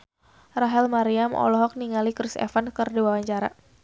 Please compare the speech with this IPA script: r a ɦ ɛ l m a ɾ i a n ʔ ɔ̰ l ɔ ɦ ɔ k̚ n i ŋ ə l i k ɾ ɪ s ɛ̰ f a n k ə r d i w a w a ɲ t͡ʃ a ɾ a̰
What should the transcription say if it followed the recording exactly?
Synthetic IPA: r a ɦ ɛ l m a ɾ i a m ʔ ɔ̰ l ɔ ɦ ɔ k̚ n i ŋ a l i k ɾ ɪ s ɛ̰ f a n k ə r d i w a w a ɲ t͡ʃ a ɾ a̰